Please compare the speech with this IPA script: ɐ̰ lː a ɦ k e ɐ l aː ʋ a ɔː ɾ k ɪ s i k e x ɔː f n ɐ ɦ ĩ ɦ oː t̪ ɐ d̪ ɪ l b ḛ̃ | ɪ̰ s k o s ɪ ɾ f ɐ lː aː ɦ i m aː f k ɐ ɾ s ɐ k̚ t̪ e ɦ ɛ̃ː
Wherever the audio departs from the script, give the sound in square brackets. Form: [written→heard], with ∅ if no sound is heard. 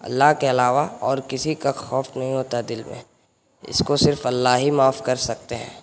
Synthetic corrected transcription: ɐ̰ lː a ɦ k e ɐ l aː ʋ a ɔː ɾ k ɪ s i k [e→a] x ɔː f n ɐ ɦ ĩ ɦ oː t̪ [ɐ→a] d̪ ɪ l [b→m] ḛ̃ | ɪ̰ s k o s ɪ ɾ f ɐ lː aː ɦ i m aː f k ɐ ɾ s ɐ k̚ t̪ e ɦ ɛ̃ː